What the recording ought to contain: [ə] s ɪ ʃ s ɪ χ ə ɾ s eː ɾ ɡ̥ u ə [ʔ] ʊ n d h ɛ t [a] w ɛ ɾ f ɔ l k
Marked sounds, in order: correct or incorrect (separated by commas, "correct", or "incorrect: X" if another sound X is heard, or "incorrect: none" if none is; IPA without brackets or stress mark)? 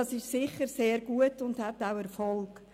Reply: incorrect: ɑ, incorrect: t, correct